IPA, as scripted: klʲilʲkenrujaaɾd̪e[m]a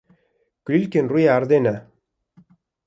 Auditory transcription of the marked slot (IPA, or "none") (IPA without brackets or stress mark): n